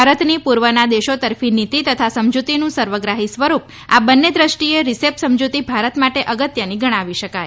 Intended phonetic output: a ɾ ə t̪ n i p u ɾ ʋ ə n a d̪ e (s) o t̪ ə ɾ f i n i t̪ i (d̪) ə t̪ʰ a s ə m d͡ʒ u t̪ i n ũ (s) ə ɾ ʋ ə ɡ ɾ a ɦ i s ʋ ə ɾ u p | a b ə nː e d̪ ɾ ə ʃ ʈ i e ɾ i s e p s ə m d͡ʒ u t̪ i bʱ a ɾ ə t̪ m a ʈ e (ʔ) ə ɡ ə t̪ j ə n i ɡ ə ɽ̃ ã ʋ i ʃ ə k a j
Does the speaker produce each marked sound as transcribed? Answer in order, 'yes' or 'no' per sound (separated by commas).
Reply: no, no, yes, yes